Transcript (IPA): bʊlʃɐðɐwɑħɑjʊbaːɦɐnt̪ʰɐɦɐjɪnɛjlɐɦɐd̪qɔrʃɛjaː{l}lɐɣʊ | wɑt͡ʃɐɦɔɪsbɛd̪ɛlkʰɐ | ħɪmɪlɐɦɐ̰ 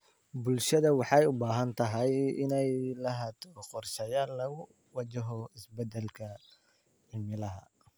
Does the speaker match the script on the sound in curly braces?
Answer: yes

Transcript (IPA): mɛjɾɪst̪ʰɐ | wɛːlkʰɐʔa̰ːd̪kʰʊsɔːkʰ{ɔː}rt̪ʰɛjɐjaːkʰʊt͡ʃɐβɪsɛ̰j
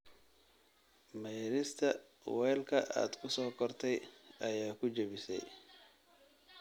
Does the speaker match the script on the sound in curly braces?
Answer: no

